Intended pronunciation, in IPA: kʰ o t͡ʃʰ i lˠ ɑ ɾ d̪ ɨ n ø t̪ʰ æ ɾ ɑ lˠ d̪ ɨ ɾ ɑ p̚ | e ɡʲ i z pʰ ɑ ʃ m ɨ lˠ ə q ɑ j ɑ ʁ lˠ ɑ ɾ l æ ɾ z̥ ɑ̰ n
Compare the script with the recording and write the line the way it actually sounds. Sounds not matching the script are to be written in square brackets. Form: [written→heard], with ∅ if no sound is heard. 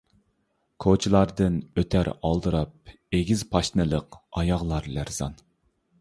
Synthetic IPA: kʰ o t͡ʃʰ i lˠ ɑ ɾ d̪ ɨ n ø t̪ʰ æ ɾ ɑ lˠ d̪ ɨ ɾ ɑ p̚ | e ɡʲ i z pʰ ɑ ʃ [m→n] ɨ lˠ ə q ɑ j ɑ ʁ lˠ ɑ ɾ l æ ɾ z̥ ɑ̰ n